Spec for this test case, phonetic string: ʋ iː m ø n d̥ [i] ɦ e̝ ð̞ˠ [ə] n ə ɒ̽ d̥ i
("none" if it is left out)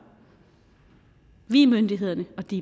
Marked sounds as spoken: i, ɐ

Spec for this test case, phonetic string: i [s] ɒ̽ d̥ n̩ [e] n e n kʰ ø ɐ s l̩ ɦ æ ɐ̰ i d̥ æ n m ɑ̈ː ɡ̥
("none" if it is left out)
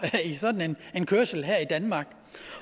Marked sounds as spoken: s, e

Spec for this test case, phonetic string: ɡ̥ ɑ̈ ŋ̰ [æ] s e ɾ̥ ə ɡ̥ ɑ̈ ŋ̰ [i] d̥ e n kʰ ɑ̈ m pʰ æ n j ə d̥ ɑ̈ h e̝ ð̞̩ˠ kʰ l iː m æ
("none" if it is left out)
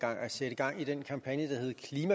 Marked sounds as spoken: æ, i

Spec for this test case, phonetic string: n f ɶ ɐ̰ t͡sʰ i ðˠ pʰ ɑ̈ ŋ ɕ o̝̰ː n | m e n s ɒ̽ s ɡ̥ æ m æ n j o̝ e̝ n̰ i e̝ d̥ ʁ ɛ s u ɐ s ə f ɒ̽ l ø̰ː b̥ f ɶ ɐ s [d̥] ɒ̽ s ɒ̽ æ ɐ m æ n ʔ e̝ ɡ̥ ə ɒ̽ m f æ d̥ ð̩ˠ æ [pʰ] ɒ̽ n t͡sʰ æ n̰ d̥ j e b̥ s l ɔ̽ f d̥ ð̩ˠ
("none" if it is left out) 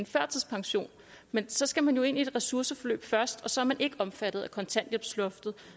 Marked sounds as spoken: d̥, kʰ

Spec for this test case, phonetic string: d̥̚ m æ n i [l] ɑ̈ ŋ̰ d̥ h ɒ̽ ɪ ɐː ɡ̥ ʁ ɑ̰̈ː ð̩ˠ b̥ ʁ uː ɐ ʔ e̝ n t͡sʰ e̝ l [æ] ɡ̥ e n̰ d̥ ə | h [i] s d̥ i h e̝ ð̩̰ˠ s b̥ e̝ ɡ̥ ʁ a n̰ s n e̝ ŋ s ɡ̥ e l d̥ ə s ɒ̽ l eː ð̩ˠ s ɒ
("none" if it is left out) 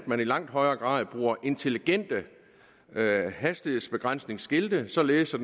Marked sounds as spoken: l, i, æ

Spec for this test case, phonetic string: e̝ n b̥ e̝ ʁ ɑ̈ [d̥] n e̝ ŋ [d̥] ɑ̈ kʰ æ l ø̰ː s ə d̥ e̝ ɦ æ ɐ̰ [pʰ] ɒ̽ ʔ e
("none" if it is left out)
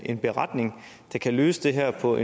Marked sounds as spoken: d̥, d̥, pʰ

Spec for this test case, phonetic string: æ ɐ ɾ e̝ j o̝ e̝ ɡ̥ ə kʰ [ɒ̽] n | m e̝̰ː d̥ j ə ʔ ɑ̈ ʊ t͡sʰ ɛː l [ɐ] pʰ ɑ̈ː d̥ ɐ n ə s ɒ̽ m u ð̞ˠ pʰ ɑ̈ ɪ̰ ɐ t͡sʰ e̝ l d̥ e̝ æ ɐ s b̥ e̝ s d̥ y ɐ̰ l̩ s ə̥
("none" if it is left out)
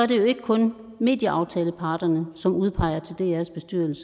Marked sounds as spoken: ɔ̽, ə

